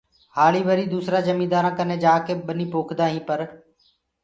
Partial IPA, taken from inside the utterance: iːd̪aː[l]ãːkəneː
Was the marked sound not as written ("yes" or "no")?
yes